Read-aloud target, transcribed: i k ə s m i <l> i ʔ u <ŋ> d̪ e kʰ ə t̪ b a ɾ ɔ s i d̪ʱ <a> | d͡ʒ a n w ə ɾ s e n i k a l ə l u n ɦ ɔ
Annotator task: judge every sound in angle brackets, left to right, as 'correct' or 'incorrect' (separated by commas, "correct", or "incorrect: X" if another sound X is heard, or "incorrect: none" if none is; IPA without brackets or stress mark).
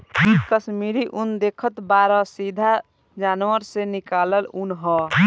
incorrect: ɾ, incorrect: n, correct